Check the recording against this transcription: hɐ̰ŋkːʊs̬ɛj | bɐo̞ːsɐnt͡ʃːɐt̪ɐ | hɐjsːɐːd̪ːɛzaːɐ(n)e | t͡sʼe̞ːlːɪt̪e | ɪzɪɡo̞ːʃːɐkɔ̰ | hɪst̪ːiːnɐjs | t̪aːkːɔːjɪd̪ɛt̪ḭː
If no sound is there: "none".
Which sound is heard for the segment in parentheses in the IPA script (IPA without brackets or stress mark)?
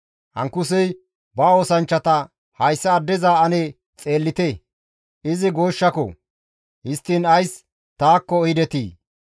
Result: n